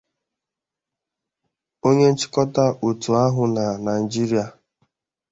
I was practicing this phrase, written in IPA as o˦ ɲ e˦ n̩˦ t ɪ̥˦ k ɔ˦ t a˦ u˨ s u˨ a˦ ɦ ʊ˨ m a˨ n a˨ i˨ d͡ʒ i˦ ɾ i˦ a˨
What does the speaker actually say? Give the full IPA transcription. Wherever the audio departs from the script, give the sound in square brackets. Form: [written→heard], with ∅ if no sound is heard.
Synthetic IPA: o˦ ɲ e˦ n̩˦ [t→t͡ʃ] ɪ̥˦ k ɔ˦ t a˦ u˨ [s→t] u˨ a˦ ɦ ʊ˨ [m→n] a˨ n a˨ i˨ d͡ʒ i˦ ɾ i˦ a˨